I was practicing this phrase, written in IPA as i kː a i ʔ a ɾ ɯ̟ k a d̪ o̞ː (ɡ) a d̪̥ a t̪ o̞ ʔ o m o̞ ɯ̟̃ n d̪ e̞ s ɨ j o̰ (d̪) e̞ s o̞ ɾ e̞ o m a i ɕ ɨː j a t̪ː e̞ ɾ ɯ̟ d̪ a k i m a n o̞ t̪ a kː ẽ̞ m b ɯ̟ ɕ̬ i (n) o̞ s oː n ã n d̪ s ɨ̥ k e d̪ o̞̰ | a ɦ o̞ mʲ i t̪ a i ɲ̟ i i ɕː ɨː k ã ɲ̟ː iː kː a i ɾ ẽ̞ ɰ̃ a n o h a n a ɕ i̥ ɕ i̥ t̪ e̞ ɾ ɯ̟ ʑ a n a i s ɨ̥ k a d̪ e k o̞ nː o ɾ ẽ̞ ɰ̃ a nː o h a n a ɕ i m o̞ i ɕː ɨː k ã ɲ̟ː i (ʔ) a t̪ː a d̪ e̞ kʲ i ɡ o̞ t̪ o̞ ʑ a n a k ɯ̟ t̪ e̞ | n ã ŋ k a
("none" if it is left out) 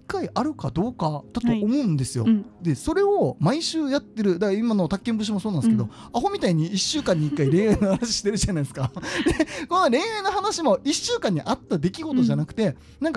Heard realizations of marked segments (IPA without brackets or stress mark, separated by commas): k, d̪, m, ʔ